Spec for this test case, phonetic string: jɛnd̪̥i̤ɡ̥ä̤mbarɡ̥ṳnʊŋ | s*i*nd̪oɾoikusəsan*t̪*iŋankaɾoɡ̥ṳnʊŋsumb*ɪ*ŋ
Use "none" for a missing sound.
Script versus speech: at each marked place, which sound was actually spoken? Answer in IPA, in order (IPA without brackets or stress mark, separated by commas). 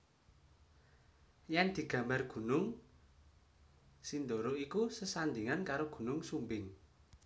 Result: i, d̪, ɪ